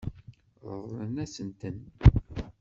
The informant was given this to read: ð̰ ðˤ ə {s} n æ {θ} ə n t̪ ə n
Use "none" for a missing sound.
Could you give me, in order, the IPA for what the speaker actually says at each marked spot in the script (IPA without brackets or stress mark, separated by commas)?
none, s